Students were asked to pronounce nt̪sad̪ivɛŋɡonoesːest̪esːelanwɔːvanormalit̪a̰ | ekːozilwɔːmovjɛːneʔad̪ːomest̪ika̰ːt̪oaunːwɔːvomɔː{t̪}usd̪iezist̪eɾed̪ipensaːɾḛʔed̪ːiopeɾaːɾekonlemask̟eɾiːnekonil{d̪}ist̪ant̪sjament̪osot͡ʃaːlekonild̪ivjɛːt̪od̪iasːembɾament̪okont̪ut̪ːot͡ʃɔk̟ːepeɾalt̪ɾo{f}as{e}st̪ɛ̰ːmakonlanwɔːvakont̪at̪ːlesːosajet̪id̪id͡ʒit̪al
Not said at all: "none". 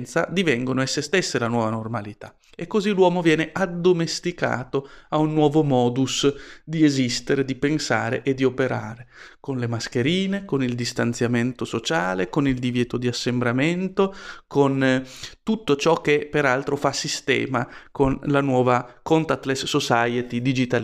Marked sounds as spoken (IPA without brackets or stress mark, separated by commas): d̪, d̪, f, i